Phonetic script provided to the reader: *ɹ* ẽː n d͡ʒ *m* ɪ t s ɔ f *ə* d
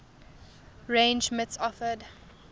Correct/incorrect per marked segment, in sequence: correct, correct, correct

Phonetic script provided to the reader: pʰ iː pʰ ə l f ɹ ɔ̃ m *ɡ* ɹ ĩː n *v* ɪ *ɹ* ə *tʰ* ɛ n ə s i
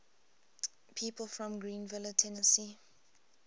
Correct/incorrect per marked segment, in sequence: correct, correct, incorrect: l, correct

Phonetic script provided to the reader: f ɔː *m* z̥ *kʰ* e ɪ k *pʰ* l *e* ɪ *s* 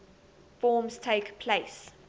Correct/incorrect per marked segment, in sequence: correct, incorrect: tʰ, correct, correct, correct

